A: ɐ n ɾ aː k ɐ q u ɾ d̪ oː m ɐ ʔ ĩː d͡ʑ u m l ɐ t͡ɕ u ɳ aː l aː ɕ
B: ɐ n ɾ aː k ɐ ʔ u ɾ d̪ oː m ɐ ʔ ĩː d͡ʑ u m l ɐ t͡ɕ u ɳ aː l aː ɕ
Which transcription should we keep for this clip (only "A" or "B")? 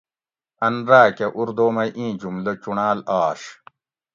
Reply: B